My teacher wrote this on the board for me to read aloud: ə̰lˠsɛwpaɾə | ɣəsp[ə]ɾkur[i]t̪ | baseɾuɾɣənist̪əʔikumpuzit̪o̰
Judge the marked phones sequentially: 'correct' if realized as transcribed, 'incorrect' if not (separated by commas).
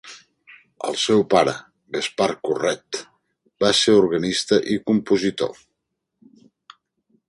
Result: incorrect, incorrect